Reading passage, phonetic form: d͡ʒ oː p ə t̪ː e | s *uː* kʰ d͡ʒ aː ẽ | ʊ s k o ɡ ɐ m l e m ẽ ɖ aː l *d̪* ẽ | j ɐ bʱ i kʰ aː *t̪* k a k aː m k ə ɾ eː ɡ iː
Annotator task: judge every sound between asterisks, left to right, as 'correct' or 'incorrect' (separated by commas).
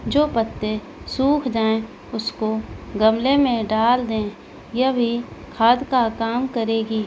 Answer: correct, correct, incorrect